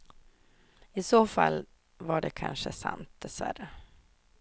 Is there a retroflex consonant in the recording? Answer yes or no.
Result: yes